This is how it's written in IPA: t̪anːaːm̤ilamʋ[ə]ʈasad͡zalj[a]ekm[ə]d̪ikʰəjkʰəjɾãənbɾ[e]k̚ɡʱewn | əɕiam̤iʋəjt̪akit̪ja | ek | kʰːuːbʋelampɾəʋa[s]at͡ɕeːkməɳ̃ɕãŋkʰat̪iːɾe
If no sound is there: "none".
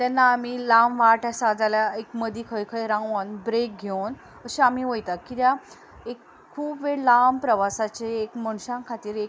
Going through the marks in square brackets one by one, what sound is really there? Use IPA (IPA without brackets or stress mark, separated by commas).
a, a, ə, e, s